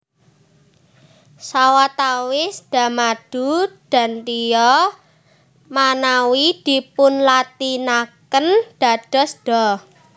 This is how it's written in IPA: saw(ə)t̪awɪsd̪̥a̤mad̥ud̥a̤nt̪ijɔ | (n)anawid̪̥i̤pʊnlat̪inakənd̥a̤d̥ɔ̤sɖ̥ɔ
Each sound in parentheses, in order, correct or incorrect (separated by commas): incorrect, incorrect